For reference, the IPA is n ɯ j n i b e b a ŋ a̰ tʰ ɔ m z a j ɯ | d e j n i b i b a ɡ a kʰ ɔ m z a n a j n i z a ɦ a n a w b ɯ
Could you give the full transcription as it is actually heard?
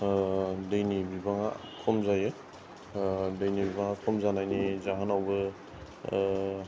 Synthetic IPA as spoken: d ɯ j n i b i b a ŋ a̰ kʰ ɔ m z a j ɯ | d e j n i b i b a ŋ a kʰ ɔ m z a n a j n i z a ɦ a n a w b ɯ

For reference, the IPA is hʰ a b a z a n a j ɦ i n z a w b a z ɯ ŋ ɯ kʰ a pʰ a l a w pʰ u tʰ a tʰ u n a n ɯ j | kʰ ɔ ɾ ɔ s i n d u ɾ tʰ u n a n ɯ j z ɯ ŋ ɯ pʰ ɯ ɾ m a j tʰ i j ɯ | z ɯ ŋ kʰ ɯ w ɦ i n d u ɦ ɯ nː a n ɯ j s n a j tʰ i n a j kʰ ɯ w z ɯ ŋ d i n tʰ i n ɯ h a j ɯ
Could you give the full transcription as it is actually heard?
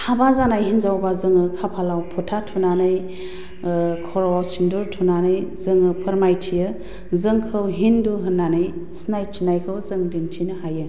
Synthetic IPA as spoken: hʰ a b a z a n a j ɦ i n z a w b a z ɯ ŋ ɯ kʰ a pʰ a l a w pʰ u tʰ a tʰ u n a n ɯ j | kʰ ɔ ɾ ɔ s i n d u ɾ tʰ u n a n ɯ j z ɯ ŋ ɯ pʰ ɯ ɾ m a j tʰ i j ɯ | z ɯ ŋ kʰ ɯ w ɦ i n d u ɦ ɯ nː a n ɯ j s n a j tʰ i n a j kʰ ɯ w z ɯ ŋ d i n tʰ i n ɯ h a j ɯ

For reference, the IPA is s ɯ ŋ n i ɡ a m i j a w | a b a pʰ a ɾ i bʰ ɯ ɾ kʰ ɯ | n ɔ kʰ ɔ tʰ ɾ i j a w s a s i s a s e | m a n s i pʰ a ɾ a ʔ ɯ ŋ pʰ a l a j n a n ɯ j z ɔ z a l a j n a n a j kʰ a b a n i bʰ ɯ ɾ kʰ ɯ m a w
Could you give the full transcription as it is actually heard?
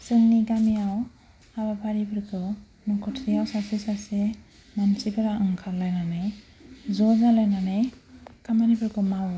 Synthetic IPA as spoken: s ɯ ŋ n i ɡ a m i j a w | a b a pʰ a ɾ i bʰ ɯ ɾ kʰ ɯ | n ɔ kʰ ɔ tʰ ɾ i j a w s a s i s a s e | m a n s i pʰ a ɾ a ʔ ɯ ŋ kʰ a l a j n a n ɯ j z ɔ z a l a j n a n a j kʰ a m a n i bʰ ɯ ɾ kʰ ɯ m a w

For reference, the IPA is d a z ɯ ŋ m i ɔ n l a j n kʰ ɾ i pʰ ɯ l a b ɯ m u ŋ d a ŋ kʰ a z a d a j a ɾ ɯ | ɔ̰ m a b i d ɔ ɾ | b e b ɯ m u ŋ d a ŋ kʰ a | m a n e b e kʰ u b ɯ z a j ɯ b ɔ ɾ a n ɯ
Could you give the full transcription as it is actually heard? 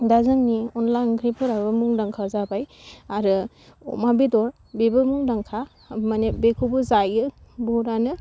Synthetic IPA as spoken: d a z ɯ ŋ n i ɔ n l a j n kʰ ɾ i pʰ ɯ ɾ a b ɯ m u ŋ d a ŋ kʰ a z a b a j a ɾ ɯ | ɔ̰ m a b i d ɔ ɾ | b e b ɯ m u ŋ d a ŋ kʰ a | m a n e b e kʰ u b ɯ z a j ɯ b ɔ ɾ a n ɯ

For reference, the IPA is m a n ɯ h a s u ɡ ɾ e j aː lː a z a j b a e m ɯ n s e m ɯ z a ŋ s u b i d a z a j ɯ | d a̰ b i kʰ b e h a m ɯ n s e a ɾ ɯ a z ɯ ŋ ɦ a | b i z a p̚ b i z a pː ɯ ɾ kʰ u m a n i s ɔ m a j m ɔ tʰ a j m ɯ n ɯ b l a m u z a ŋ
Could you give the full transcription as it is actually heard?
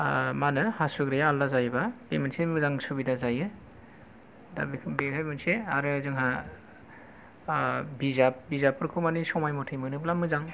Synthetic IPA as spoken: m a n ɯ h a s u ɡ ɾ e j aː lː a z a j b a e m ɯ n s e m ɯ z a ŋ s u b i d a z a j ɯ | d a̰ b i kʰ b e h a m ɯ n s e a ɾ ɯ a z ɯ ŋ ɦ a | b i z a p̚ b i z a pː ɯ ɾ kʰ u m a n i s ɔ m a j m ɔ tʰ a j m ɯ n ɯ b l a m ɯ z a ŋ

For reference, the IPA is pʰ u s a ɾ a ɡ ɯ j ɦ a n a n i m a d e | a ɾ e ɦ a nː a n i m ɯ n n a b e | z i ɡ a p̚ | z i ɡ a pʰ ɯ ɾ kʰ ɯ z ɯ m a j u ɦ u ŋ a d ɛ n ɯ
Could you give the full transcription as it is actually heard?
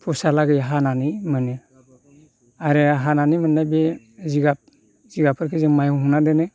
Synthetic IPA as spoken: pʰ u s a l a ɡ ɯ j ɦ a n a n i m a n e | a ɾ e ɦ a n a n i m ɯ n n a b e | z i ɡ a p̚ | z i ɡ a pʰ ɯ ɾ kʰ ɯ z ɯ m a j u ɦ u n a d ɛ n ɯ

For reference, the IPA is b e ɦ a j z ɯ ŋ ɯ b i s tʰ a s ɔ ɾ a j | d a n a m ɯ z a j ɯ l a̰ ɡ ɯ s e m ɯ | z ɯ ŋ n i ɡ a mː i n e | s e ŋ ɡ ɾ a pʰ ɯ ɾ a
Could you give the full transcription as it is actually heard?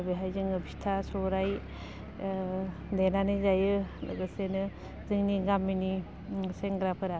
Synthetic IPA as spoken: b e ɦ a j z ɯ ŋ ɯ b i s tʰ a s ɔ ɾ a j | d e n a n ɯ z a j ɯ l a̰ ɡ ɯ s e n ɯ | z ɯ ŋ n i ɡ a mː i n i | s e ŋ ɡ ɾ a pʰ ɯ ɾ a

